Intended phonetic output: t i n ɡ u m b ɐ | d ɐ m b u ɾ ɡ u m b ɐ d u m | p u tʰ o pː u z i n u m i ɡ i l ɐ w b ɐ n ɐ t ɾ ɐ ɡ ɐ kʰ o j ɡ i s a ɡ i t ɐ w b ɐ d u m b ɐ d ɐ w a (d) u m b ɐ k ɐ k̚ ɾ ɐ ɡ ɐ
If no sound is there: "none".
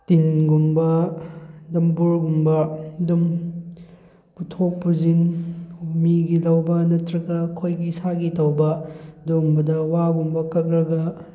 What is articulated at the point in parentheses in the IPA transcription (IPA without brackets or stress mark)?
ɡ